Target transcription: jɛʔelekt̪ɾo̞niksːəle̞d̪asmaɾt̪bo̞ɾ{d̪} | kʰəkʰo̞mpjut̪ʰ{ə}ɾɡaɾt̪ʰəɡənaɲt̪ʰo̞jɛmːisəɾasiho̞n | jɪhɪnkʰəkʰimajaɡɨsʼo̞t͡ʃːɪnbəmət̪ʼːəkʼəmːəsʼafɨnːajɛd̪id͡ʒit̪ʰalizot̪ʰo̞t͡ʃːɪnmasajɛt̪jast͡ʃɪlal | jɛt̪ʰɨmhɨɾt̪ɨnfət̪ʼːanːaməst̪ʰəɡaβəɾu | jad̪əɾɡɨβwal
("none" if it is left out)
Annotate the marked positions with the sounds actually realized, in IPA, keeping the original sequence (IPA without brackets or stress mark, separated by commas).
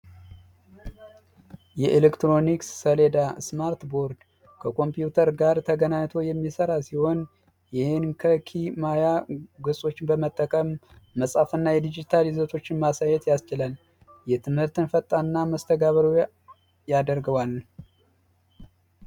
d̪, ə